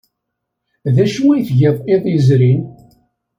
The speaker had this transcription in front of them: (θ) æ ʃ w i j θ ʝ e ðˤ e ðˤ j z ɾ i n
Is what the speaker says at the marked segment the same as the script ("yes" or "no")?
no